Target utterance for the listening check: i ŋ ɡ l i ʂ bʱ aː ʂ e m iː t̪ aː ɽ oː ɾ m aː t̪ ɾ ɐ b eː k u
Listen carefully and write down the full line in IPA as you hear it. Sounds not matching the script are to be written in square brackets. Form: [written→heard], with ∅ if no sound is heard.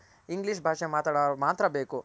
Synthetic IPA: i ŋ ɡ l i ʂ bʱ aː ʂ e m [iː→aː] t̪ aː ɽ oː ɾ m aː t̪ ɾ ɐ b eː k u